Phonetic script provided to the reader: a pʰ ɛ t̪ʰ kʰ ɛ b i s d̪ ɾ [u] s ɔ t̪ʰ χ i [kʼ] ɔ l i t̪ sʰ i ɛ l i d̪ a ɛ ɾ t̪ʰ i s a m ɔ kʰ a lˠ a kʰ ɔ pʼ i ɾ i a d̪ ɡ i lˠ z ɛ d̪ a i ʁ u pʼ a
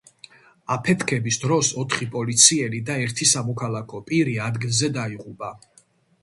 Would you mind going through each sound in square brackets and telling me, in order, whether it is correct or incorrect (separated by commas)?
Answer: incorrect, incorrect